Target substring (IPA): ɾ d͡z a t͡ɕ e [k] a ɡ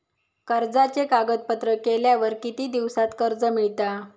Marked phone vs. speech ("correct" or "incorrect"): correct